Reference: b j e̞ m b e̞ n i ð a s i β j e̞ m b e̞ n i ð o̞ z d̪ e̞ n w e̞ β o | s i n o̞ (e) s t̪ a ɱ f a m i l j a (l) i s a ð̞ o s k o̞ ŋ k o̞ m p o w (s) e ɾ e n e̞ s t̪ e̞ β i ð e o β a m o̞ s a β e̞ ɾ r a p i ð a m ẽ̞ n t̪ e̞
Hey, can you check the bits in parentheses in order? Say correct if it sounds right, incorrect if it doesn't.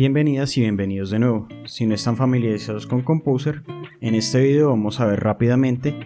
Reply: correct, incorrect: ɾ, correct

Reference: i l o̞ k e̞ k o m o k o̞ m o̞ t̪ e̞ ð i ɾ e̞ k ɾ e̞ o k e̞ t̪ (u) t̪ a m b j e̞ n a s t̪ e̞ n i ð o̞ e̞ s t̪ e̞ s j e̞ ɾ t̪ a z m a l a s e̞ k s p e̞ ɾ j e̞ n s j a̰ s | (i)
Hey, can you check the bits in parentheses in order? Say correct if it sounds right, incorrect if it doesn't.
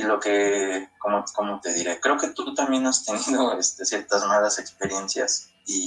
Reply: correct, correct

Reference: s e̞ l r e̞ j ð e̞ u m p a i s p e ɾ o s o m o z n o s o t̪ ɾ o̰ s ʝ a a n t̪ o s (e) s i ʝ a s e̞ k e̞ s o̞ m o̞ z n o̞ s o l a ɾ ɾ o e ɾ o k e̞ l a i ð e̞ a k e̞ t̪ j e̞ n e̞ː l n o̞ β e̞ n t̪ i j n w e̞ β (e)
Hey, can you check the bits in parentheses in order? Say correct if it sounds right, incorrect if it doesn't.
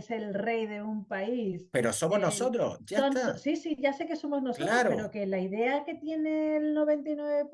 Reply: incorrect: i, correct

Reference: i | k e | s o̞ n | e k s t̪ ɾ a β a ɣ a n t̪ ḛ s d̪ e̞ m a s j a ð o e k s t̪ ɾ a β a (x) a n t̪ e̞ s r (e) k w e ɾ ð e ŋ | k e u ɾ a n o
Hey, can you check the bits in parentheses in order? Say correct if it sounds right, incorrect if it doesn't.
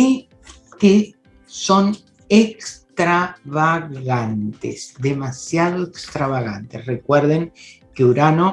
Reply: incorrect: ɣ, correct

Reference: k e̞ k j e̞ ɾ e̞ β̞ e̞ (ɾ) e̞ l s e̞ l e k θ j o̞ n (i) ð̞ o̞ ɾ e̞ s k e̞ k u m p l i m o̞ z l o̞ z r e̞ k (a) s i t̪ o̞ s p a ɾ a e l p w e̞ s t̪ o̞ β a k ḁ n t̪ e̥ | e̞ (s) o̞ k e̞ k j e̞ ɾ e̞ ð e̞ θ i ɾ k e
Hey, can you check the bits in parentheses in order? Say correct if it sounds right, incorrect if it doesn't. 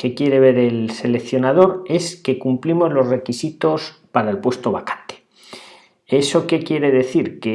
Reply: correct, incorrect: a, incorrect: i, correct

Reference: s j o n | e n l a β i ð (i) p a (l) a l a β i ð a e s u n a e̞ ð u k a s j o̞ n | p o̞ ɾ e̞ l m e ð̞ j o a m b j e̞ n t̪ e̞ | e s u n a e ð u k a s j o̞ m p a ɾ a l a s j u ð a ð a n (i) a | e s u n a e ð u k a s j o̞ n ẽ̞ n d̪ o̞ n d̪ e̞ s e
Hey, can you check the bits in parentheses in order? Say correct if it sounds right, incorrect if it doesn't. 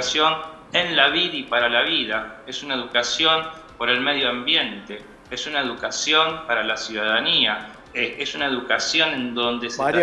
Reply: correct, incorrect: ɾ, correct

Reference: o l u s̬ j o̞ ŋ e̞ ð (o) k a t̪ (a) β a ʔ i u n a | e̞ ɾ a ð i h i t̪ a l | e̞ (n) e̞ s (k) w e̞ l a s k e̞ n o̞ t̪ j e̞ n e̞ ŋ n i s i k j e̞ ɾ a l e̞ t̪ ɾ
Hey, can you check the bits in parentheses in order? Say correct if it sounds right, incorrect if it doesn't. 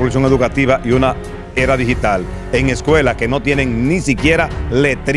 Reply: incorrect: u, incorrect: i, incorrect: ŋ, correct

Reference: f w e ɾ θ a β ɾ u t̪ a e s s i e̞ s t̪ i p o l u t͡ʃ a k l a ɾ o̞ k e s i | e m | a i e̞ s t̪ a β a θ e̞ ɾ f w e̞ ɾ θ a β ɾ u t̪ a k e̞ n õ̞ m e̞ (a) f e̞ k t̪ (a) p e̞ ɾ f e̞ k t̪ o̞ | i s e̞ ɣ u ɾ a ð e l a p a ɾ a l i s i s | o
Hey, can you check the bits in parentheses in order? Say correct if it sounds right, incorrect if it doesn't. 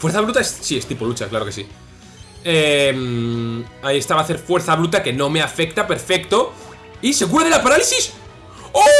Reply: correct, correct

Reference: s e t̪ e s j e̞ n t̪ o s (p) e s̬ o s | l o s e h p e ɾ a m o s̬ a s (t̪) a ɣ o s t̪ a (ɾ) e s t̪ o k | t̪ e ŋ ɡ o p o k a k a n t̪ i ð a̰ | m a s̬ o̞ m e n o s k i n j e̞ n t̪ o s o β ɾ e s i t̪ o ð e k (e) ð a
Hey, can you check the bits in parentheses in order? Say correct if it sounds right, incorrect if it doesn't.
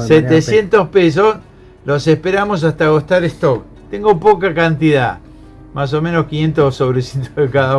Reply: correct, correct, correct, incorrect: a

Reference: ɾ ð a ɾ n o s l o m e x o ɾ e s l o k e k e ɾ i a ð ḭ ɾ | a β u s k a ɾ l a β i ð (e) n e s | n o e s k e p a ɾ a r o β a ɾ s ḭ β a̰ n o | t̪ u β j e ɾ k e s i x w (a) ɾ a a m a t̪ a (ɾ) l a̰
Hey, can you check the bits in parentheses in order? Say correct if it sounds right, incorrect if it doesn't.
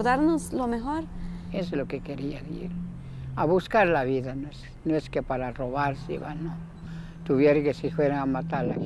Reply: incorrect: a, incorrect: e, correct

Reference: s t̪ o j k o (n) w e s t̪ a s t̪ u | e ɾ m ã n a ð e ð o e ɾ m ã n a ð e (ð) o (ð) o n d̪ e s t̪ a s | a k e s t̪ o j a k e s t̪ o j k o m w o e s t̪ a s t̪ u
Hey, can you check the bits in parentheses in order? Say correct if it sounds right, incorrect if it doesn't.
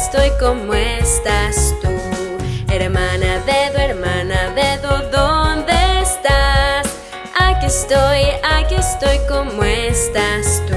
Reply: incorrect: m, correct, correct

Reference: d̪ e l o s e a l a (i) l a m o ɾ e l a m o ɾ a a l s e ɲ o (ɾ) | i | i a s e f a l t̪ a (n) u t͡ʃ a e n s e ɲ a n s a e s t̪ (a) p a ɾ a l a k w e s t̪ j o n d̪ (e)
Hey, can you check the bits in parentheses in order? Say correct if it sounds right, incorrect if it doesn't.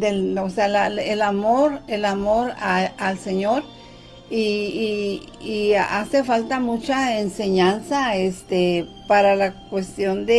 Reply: incorrect: e, correct, incorrect: m, incorrect: e, correct

